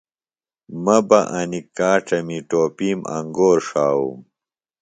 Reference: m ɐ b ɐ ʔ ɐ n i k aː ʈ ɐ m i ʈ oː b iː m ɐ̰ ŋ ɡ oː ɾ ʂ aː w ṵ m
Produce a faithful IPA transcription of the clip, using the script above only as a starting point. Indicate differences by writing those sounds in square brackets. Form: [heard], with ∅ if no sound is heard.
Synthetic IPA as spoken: m ɐ b ɐ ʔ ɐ n i k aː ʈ ɐ m i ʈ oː [p] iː m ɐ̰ ŋ ɡ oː ɾ ʂ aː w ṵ m